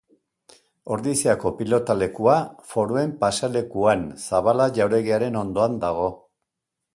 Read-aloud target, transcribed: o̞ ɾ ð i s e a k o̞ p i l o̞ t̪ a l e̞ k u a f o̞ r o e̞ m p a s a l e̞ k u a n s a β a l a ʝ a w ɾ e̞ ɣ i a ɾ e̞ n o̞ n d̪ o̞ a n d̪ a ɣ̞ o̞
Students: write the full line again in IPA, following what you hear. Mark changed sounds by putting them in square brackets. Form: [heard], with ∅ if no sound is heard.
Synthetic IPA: o̞ ɾ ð i s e a k o̞ p i l o̞ t̪ a l e̞ k u a f o̞ [ɾ] o e̞ m p a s a l e̞ k u a n s a β a l a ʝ a w ɾ e̞ ɣ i a ɾ e̞ n o̞ n d̪ o̞ a n d̪ a ɣ̞ o̞